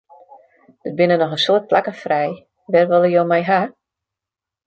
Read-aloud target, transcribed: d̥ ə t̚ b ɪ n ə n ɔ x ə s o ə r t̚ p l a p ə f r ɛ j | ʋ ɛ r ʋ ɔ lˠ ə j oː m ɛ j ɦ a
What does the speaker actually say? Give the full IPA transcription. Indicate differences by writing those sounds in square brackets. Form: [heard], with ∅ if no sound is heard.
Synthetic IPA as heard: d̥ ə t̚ b ɪ n ə n ɔ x ə s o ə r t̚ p l a [k] ə f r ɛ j | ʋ ɛ r ʋ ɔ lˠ ə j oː m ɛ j ɦ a